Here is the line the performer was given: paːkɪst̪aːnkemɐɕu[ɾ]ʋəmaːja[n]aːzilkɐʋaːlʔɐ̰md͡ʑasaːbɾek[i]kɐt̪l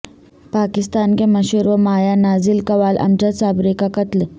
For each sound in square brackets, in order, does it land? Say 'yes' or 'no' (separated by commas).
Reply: yes, yes, no